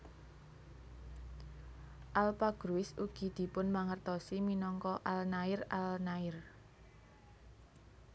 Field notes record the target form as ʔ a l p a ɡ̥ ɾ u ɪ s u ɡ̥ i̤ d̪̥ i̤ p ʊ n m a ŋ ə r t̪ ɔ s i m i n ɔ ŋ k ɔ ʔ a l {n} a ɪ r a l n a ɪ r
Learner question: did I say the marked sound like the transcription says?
yes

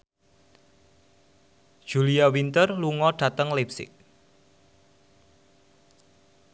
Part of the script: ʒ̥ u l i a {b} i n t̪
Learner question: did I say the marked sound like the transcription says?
no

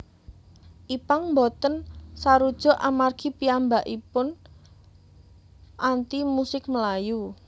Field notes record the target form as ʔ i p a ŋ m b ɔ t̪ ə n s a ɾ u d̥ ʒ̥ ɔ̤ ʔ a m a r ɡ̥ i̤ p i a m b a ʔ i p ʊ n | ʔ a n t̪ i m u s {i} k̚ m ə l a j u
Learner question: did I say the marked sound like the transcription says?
no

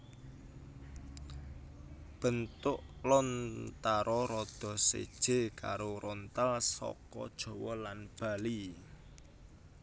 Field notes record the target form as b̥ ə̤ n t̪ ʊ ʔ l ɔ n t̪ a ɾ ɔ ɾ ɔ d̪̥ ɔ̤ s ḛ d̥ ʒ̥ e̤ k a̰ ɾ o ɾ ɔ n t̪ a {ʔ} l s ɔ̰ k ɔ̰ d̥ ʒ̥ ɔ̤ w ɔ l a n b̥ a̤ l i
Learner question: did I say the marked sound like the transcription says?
no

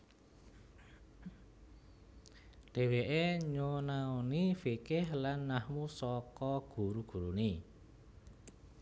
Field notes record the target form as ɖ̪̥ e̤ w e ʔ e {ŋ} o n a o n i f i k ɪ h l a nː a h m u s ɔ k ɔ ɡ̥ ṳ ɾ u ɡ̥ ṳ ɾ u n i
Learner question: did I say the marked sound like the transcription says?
no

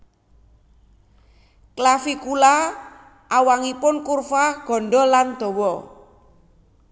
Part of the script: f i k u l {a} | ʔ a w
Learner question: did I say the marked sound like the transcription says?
yes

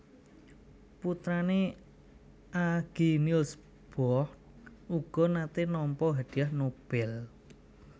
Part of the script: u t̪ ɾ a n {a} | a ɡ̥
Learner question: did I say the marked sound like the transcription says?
no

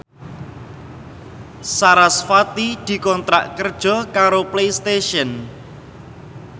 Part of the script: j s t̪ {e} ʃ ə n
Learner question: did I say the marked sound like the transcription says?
yes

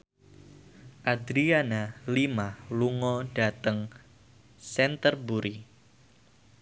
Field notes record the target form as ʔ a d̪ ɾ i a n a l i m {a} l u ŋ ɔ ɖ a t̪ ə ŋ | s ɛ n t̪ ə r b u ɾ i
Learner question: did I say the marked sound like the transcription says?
yes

